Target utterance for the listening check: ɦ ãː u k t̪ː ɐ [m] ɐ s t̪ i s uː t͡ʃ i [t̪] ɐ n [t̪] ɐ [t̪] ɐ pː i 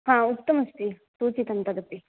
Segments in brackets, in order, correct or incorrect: correct, correct, correct, incorrect: d̪

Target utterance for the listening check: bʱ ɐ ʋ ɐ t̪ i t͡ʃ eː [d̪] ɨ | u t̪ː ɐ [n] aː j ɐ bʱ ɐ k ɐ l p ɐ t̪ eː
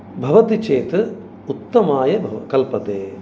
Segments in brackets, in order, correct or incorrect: incorrect: t̪, incorrect: m

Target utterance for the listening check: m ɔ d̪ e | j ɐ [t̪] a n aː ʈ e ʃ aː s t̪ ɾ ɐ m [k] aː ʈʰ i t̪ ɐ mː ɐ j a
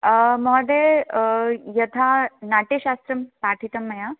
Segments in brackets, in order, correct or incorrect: incorrect: t̪ʰ, incorrect: p

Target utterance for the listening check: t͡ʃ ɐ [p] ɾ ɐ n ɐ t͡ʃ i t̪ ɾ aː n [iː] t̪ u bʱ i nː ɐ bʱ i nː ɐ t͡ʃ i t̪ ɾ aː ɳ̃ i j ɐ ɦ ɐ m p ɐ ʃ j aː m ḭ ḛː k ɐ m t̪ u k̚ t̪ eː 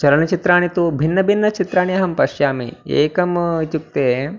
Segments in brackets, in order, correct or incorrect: incorrect: none, incorrect: i

